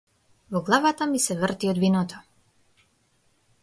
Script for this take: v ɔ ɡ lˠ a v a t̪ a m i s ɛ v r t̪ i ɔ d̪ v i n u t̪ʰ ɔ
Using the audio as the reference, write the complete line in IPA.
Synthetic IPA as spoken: v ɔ ɡ lˠ a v a t̪ a m i s ɛ v r t̪ i ɔ d̪ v i n ɔ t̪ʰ ɔ

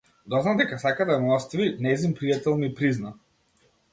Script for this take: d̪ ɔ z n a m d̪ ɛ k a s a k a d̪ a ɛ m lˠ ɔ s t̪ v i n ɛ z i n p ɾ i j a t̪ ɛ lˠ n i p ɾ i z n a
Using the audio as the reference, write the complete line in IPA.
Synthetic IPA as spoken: d̪ ɔ z n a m d̪ ɛ k a s a k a d̪ a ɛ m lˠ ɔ s t̪ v i n ɛ z i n p ɾ i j a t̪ ɛ lˠ n i p ɾ i z n a

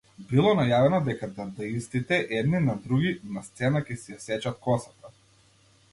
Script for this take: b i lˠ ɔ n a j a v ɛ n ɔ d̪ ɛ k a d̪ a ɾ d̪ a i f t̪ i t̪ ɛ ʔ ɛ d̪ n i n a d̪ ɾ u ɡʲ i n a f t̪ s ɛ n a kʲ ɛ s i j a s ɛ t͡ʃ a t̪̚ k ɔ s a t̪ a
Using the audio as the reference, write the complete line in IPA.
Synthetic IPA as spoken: b i lˠ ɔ n a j a v ɛ n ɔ d̪ ɛ k a d̪ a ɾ d̪ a i s t̪ i t̪ ɛ ʔ ɛ d̪ n i n a d̪ ɾ u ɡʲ i n a s t̪ s ɛ n a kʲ ɛ s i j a s ɛ t͡ʃ a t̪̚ k ɔ s a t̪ a

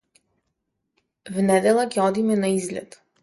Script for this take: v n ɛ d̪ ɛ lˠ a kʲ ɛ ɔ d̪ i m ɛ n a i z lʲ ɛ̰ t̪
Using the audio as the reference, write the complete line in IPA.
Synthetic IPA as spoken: v n ɛ d̪ ɛ lˠ a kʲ ɛ ɔ d̪ i m ɛ n a i z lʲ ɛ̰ t̪

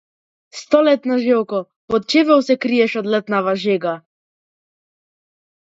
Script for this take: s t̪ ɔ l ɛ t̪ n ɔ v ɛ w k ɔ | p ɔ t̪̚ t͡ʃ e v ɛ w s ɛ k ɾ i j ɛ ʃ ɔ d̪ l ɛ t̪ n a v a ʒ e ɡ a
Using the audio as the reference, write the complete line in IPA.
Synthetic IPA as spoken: s t̪ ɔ l ɛ t̪ n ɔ ʒ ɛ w k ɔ | p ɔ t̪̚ t͡ʃ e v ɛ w s ɛ k ɾ i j ɛ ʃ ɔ d̪ l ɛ t̪ n a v a ʒ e ɡ a

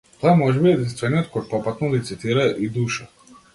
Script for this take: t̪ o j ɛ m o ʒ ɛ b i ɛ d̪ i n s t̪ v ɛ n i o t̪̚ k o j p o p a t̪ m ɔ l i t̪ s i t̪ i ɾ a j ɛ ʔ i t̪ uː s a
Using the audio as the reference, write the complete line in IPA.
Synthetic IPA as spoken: t̪ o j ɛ m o ʒ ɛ b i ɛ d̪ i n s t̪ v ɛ n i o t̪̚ k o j p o p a t̪ n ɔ l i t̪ s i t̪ i ɾ a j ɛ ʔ i d̪ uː ʃ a

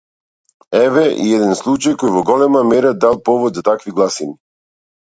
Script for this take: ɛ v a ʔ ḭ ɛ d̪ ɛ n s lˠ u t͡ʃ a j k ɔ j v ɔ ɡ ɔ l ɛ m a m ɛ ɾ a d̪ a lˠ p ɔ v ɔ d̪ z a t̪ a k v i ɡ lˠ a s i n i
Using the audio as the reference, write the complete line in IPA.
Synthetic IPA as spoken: ɛ v ɛ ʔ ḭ ɛ d̪ ɛ n s lˠ u t͡ʃ a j k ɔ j v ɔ ɡ ɔ l ɛ m a m ɛ ɾ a d̪ a lˠ p ɔ v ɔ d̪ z a t̪ a k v i ɡ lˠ a s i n i

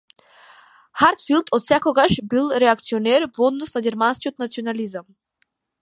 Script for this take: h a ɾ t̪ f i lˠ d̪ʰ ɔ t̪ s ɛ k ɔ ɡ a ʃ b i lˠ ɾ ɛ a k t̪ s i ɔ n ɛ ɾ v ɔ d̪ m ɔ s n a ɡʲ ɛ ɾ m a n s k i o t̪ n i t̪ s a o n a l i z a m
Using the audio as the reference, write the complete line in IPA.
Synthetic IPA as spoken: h a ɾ t̪ f i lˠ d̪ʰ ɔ t̪ s ɛ k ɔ ɡ a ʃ b i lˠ ɾ ɛ a k t̪ s i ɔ n ɛ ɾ v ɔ d̪ n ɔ s n a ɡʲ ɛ ɾ m a n s k i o t̪ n a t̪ s i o n a l i z a m

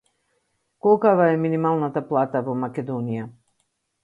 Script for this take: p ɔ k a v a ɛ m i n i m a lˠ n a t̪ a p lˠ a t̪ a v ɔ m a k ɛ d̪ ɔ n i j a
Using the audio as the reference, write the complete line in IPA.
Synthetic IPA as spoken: k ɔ k a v a ɛ m i n i m a lˠ n a t̪ a p lˠ a t̪ a v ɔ m a k ɛ d̪ ɔ n i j a

